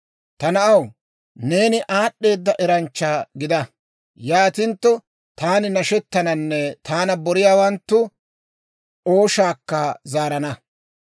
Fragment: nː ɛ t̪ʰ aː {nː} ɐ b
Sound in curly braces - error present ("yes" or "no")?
yes